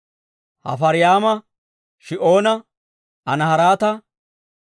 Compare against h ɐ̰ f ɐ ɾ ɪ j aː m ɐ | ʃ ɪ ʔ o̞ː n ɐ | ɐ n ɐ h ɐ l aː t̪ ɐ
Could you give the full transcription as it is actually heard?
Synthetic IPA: h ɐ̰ f ɐ ɾ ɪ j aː m ɐ | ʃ ɪ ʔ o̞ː n ɐ | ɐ n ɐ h ɐ ɾ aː t̪ ɐ